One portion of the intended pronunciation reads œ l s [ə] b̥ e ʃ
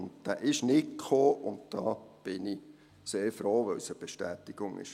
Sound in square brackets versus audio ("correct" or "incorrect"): correct